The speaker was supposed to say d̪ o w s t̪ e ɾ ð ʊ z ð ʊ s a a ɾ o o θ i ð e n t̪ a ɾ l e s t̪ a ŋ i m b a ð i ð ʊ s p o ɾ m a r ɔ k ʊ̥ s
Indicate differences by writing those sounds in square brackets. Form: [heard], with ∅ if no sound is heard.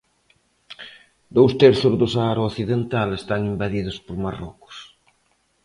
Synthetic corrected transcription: d̪ o w s t̪ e ɾ [θ] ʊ z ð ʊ s a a ɾ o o θ i ð e n t̪ a [∅] l e s t̪ a ŋ i m b a ð i ð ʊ s p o ɾ m a r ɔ k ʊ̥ s